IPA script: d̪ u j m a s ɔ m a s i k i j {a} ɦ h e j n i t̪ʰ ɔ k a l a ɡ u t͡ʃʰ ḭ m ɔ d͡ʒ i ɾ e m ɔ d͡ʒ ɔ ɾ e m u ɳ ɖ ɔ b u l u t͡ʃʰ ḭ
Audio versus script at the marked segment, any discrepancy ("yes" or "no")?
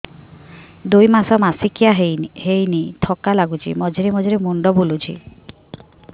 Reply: no